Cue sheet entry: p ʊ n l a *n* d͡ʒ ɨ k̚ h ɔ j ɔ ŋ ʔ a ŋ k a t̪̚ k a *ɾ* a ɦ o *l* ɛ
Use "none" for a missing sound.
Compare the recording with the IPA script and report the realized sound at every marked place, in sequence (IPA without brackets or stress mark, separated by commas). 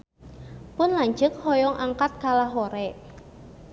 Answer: ɲ, l, ɾ